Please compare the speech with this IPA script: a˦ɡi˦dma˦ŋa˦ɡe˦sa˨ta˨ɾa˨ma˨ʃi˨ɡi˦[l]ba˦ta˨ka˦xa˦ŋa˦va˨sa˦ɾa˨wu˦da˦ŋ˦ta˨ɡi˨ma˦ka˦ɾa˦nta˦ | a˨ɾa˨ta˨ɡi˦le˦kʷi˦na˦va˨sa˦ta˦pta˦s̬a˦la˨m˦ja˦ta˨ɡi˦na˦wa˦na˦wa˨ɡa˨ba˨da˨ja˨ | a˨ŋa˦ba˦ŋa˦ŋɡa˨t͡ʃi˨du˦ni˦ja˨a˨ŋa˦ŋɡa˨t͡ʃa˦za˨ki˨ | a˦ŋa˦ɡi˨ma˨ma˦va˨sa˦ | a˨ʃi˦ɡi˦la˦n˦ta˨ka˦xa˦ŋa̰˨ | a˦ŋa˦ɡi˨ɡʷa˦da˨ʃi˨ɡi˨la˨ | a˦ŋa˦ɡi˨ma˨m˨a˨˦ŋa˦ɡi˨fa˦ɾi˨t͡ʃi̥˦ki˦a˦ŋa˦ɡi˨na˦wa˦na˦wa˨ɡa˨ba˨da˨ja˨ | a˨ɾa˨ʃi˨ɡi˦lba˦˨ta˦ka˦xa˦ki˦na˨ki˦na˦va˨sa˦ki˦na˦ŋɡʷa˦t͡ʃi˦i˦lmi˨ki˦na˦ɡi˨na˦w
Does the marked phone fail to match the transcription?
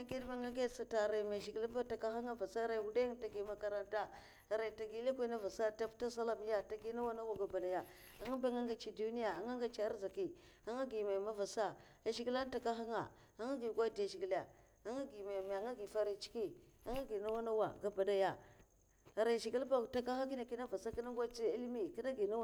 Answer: no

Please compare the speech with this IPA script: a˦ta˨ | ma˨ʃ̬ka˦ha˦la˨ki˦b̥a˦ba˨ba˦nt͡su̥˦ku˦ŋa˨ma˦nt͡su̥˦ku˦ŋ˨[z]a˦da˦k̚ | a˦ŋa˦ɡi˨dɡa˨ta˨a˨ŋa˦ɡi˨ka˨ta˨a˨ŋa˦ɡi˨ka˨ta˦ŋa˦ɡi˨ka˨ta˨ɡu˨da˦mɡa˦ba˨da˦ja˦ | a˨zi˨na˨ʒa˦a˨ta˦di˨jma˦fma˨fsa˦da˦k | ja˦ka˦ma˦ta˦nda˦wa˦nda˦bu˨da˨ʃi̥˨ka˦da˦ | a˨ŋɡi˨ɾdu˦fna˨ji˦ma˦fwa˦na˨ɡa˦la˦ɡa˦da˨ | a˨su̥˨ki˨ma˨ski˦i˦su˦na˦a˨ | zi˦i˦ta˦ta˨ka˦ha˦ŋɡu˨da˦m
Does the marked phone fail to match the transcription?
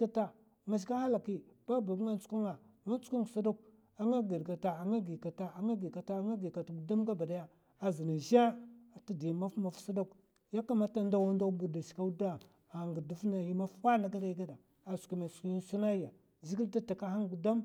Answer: yes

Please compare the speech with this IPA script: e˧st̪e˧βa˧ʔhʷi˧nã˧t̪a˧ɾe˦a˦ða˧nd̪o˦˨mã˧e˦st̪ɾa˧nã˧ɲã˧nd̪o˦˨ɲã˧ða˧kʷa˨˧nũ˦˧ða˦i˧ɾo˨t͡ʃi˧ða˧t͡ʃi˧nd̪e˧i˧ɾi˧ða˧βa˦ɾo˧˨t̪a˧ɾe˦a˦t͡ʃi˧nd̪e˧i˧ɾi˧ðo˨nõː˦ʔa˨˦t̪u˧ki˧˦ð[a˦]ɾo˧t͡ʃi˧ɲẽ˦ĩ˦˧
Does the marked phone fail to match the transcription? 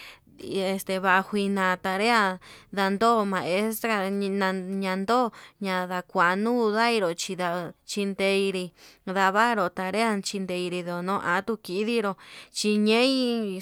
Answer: yes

